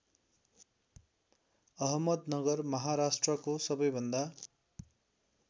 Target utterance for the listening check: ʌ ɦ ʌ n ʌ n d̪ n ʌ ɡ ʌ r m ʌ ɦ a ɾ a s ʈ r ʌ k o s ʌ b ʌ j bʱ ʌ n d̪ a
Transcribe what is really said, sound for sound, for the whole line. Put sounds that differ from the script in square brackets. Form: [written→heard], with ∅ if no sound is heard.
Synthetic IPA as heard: ʌ ɦ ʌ [n→m] ʌ [n→∅] d̪ n ʌ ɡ ʌ r m ʌ ɦ a ɾ a s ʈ r ʌ k o s ʌ b ʌ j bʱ ʌ n d̪ a